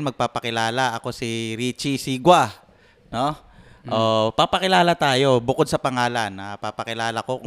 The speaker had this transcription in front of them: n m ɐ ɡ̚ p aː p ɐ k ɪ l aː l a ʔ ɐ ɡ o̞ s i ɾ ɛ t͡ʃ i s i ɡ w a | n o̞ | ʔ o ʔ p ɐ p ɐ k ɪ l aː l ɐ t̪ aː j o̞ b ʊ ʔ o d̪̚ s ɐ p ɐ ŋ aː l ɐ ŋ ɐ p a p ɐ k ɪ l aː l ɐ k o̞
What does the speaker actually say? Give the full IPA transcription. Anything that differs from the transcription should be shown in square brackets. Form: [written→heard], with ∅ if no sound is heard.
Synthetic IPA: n m ɐ ɡ̚ p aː p ɐ k ɪ l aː l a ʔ ɐ [ɡ→k] o̞ s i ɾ [ɛ→i] t͡ʃ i s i ɡ w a | n o̞ | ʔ o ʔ p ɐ p ɐ k ɪ l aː l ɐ t̪ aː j o̞ b ʊ [ʔ→k] o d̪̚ s ɐ p ɐ ŋ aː l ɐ [ŋ→n] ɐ p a p ɐ k ɪ l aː l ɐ k o̞